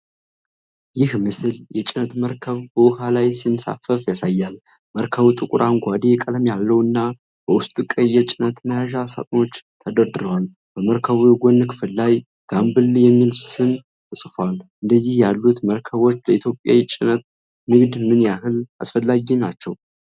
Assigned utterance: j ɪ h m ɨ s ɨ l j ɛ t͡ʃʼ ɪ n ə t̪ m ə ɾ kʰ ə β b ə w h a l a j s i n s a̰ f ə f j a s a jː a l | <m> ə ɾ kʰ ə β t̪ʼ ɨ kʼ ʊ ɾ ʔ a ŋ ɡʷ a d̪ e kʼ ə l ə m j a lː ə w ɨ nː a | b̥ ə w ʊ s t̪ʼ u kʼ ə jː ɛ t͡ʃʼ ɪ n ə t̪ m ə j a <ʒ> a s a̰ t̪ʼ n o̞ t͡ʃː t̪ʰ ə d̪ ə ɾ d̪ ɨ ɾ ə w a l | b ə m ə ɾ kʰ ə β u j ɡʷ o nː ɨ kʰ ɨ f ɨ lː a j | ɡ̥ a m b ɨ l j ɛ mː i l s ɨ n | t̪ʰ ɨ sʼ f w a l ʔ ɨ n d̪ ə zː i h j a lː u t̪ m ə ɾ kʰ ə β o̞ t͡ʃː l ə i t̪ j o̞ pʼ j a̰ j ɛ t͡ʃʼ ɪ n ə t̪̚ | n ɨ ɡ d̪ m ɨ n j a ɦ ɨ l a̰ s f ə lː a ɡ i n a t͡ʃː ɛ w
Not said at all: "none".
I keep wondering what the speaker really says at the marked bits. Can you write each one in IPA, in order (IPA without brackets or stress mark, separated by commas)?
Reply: m, ʒ